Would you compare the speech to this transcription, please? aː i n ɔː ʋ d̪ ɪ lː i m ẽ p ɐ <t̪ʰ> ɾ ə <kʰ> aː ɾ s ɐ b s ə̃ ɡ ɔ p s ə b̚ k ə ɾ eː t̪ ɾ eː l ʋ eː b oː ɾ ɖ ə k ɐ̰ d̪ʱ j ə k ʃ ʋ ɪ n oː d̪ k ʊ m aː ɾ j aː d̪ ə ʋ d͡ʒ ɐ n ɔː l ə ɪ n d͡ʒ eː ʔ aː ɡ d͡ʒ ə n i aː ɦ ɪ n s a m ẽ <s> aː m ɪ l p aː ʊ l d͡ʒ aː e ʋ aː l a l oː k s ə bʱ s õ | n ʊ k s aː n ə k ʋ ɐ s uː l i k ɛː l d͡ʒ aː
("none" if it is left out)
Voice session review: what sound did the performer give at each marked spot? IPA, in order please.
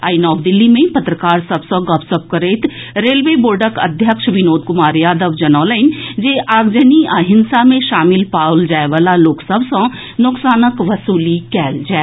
t̪, k, ʃ

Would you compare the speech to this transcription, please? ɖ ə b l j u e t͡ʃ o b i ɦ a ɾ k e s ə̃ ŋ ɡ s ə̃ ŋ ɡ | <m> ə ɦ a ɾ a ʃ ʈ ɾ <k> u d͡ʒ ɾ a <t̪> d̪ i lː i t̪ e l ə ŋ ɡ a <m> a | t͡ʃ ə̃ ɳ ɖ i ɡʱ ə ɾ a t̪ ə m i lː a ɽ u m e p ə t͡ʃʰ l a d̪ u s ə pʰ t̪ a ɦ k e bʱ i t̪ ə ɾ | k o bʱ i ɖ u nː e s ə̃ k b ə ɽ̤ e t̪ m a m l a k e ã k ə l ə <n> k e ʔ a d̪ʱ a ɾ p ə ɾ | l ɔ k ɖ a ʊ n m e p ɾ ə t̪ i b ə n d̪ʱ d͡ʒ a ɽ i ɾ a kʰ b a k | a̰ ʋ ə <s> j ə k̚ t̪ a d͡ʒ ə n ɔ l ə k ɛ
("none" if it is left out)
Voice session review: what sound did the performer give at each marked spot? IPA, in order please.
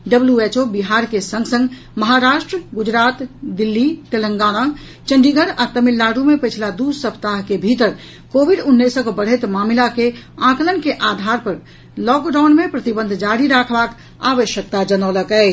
m, ɡ, t̪, n, n, ʃ

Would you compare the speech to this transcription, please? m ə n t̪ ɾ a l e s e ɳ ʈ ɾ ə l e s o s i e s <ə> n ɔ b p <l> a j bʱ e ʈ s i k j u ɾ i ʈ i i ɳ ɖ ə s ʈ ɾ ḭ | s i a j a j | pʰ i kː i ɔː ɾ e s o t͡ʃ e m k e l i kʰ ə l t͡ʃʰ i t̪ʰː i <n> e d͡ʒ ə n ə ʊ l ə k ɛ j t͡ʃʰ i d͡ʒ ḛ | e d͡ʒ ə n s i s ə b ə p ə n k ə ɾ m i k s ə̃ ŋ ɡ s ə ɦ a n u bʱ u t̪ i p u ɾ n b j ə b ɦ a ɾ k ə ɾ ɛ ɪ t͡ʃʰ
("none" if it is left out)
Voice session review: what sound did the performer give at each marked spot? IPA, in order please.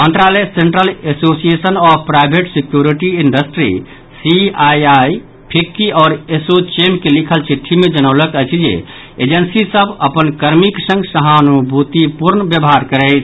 ə, ɾ, m

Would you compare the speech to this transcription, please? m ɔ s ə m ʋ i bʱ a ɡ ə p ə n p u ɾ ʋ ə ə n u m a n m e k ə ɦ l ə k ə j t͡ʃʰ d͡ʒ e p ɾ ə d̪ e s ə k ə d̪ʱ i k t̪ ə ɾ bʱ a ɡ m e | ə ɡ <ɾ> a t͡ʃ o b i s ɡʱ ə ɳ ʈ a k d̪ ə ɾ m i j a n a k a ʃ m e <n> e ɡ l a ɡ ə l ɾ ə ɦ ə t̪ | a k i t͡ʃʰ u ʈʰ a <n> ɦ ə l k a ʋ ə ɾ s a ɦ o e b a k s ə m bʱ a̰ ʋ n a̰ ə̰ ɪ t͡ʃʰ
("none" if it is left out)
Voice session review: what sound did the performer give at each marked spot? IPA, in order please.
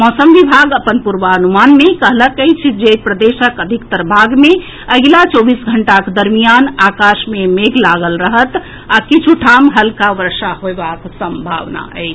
l, m, m

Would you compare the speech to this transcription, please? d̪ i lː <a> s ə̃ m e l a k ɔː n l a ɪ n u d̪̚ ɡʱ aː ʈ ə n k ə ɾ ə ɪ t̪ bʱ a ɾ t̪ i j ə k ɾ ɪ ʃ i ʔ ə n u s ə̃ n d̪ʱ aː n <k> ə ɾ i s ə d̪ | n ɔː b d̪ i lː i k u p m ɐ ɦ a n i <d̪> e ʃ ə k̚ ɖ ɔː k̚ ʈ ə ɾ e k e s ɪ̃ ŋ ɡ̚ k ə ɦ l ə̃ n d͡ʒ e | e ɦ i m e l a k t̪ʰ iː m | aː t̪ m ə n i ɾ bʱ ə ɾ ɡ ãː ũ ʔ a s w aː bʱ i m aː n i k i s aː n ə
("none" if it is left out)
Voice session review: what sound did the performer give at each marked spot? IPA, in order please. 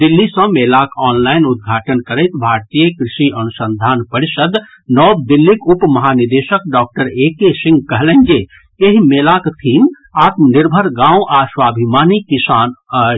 i, p, d̪

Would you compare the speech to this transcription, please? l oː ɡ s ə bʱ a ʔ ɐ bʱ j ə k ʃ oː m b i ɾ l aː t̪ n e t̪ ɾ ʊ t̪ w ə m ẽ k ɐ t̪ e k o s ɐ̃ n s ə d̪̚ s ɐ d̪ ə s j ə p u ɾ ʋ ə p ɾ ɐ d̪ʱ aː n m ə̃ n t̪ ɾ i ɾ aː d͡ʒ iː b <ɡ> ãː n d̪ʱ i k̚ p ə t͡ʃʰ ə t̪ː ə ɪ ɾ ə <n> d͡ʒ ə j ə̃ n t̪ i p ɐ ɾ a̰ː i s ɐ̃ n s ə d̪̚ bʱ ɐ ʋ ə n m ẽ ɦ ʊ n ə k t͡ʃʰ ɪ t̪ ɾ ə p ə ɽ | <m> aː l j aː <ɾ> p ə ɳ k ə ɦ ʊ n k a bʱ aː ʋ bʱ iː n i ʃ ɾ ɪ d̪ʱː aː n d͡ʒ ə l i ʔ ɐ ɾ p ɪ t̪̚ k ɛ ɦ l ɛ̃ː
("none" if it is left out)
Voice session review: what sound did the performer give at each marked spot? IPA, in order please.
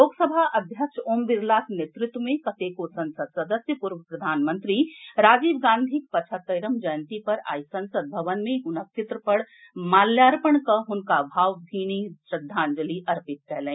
ɡ, m, m, ɾ

